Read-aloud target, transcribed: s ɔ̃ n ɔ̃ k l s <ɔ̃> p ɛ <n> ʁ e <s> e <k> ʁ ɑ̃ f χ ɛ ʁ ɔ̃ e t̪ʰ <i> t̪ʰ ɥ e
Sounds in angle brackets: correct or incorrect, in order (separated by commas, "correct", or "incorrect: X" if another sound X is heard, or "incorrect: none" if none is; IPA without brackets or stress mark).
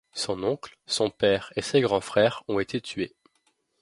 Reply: correct, incorrect: none, correct, incorrect: ɡ, incorrect: e